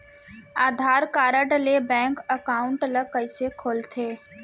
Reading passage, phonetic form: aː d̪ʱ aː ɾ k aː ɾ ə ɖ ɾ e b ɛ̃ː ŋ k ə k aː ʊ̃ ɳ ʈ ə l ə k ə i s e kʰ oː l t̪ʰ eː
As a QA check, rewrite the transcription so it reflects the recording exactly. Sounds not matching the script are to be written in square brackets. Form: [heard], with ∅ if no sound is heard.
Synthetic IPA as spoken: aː d̪ʱ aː ɾ k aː ɾ ə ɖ [l] e b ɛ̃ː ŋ k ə k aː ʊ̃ ɳ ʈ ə l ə k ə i s e kʰ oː l t̪ʰ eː